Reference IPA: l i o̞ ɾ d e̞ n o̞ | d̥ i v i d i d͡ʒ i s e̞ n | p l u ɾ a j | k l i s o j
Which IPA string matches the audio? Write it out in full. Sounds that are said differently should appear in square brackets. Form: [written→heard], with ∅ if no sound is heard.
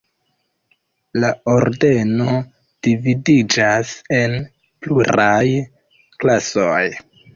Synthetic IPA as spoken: l [i→a] o̞ ɾ d e̞ n o̞ | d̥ i v i d i d͡ʒ [i→a] s e̞ n | p l u ɾ a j | k l [i→a] s o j